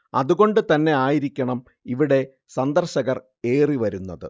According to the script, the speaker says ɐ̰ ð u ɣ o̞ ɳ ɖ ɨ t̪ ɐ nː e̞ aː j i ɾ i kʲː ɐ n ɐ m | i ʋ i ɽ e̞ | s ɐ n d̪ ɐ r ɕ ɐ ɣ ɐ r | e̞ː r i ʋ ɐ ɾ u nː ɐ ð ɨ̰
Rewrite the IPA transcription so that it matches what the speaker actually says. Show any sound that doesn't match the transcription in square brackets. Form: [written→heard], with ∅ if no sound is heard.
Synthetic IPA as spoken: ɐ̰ ð u ɣ o̞ ɳ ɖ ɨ t̪ ɐ nː e̞ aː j i ɾ i kʲː ɐ [n→ɳ] ɐ m | i ʋ i ɽ e̞ | s ɐ n d̪ ɐ r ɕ ɐ ɣ ɐ r | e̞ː r i ʋ ɐ ɾ u nː ɐ ð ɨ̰